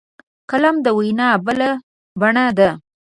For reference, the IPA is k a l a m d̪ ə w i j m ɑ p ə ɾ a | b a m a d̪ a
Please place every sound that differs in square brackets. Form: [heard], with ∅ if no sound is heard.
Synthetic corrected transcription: k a l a m d̪ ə w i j [n] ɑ [b] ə [l] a | b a [ɳ] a d̪ a